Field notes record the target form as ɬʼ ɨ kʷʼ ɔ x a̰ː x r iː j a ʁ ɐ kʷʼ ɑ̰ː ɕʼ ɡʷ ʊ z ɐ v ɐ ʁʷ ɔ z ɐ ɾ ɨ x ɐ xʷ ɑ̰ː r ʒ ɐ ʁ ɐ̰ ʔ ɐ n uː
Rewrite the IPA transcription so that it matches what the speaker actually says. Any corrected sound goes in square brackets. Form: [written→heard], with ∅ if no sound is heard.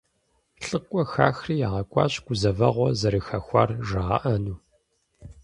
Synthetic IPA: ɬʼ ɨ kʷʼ ɔ x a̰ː x r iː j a ʁ ɐ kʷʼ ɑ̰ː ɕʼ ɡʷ ʊ z ɐ v ɐ ʁʷ ɔ z ɐ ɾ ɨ x ɐ xʷ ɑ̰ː r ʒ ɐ ʁ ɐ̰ ʔ ɐ n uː